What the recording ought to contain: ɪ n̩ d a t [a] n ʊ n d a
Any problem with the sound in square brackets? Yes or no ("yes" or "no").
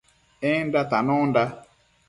no